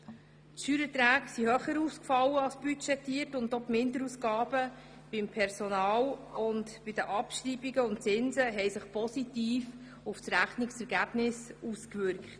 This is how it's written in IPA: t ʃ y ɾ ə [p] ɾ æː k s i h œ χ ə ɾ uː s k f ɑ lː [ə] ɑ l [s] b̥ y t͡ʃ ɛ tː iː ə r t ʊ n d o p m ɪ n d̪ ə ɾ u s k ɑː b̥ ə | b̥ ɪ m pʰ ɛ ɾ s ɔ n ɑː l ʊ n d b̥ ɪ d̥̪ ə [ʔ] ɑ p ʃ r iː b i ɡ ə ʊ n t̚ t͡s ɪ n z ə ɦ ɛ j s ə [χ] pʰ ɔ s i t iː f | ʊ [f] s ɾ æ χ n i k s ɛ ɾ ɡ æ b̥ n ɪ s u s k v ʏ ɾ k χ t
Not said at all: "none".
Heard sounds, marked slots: t, ə, s, ʔ, χ, f

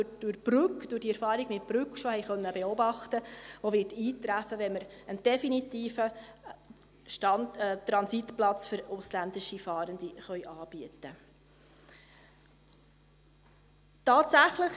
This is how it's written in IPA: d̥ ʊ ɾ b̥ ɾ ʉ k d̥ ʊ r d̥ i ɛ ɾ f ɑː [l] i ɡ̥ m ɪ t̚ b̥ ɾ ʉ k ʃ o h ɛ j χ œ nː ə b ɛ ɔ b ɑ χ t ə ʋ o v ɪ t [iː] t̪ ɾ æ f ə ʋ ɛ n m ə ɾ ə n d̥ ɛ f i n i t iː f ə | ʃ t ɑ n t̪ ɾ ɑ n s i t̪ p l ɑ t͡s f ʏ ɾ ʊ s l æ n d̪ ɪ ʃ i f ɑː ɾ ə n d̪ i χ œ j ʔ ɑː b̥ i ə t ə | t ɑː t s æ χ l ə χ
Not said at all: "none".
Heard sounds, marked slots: ɾ, iː

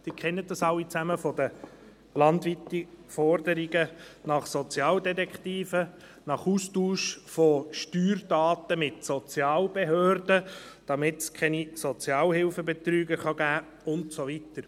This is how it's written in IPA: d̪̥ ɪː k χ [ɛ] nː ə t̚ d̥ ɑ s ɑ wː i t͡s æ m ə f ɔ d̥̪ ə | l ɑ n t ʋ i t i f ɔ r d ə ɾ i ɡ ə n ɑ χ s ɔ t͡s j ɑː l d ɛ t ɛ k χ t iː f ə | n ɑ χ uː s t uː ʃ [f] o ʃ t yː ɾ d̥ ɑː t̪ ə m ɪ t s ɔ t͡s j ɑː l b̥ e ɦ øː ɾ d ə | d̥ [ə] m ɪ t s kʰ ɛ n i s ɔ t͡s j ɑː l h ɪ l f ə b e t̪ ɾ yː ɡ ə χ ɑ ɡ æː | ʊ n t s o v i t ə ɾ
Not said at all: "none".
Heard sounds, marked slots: ɛ, f, ɑ

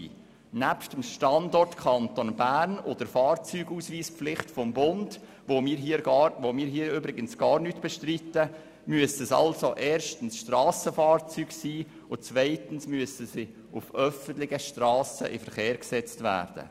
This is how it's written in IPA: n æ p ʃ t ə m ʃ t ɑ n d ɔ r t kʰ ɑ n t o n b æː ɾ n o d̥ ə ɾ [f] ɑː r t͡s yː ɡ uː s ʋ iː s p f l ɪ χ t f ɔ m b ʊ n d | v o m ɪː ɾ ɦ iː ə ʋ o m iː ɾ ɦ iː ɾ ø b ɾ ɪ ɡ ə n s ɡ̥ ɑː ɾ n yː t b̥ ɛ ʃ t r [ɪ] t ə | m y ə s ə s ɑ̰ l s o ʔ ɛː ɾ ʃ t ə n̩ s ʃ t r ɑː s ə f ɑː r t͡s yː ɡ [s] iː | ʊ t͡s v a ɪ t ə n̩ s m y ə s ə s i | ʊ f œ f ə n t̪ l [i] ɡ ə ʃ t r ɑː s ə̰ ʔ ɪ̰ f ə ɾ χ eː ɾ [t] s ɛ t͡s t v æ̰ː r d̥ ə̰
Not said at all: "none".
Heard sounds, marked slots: f, i, s, ɪ, k

